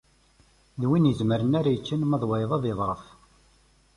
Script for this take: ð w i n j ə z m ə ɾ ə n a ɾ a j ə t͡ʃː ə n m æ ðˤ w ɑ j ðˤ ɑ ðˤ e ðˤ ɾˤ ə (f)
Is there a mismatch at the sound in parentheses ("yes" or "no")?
no